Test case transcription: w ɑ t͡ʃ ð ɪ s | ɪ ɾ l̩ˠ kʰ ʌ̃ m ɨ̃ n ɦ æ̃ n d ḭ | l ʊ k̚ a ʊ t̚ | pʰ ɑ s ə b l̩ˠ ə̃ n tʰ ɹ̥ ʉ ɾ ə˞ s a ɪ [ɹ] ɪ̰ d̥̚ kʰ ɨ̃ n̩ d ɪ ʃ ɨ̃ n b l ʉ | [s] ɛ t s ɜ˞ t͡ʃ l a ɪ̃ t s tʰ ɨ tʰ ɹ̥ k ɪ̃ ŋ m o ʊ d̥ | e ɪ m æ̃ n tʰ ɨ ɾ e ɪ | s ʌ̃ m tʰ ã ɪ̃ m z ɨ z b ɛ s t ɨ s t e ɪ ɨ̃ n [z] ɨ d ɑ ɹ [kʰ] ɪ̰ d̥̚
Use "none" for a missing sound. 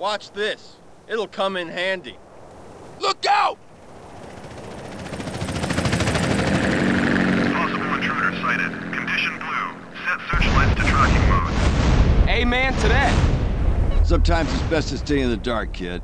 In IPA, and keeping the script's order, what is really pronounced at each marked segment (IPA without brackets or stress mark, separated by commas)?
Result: ɾ, s, ð, kʰ